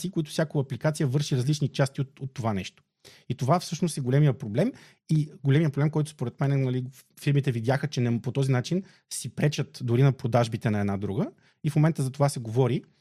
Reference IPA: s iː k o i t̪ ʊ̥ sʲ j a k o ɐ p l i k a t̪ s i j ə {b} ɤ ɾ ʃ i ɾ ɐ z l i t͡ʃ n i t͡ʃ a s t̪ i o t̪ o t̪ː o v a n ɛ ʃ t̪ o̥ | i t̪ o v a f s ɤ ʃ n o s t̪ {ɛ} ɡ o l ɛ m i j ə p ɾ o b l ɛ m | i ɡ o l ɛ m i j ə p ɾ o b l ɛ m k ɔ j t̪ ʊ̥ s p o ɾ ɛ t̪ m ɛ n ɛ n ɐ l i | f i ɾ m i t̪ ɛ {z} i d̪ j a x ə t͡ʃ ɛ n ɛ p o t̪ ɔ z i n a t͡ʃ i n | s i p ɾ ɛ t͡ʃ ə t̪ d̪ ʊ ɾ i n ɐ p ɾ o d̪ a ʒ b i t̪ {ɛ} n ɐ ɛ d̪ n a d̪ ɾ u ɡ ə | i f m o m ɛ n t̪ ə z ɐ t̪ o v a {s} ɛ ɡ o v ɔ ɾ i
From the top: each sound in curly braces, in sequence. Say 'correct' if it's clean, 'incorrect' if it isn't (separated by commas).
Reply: incorrect, correct, incorrect, correct, correct